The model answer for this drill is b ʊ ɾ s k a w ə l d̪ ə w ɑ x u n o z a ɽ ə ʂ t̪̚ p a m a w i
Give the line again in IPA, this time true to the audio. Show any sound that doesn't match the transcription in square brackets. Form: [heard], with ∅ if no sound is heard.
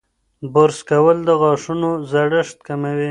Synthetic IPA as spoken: b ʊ ɾ s k a w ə l d̪ ə [ɣ] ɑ [ʂ] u n o z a ɽ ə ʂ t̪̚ [k] a m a w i